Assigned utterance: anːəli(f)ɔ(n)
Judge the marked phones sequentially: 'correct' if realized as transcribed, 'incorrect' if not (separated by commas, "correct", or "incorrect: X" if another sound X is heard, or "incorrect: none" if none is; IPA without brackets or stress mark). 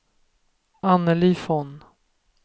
correct, correct